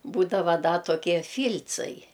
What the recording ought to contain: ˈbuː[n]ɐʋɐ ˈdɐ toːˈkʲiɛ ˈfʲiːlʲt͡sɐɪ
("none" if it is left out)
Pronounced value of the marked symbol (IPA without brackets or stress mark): d